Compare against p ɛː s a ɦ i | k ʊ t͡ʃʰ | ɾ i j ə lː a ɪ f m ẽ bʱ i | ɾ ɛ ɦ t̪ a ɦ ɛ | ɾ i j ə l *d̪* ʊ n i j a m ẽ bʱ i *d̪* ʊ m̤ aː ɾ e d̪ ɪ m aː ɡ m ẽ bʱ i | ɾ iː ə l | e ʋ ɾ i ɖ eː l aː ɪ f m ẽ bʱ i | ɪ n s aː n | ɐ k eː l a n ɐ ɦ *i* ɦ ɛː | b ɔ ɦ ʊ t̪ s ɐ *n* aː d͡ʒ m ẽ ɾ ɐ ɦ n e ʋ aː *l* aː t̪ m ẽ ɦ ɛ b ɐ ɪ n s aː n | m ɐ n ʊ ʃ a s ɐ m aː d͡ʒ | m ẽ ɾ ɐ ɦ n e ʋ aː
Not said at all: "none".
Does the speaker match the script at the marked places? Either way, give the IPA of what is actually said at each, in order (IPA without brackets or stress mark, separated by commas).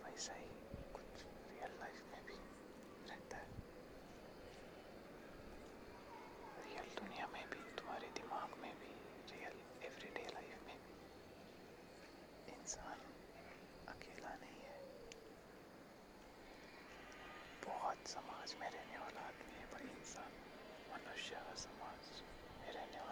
d̪, t̪, ĩ, m, l